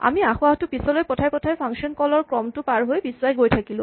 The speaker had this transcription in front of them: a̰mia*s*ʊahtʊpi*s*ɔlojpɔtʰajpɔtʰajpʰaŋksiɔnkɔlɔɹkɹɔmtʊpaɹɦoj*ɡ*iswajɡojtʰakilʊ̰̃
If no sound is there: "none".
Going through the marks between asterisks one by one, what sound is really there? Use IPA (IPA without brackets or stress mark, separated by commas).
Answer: x, s, b